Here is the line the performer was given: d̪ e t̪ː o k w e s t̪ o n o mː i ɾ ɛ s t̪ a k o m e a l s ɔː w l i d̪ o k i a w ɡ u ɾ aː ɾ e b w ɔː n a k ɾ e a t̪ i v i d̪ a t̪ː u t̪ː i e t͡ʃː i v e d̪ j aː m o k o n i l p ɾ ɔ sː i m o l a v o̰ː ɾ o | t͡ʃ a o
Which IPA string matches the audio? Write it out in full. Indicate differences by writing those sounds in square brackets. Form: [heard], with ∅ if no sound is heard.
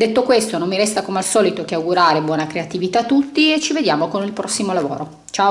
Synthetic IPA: d̪ e t̪ː o k w e s t̪ o n o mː i ɾ ɛ s t̪ a k o m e a l s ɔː [∅] l i [t̪] o k [e] a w ɡ u ɾ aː ɾ e b w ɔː n a k ɾ e a t̪ i v i [t̪] a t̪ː u t̪ː i e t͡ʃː i v e d̪ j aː m o k o n i l p ɾ ɔ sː i m o l a v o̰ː ɾ o | t͡ʃ a o